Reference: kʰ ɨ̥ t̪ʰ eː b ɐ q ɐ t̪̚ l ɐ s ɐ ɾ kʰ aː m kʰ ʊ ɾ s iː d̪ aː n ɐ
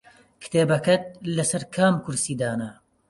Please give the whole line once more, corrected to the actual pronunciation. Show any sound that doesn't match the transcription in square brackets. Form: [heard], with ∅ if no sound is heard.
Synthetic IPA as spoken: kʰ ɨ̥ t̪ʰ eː b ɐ [k] ɐ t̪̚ l ɐ s ɐ ɾ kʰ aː m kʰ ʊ ɾ s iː d̪ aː n ɐ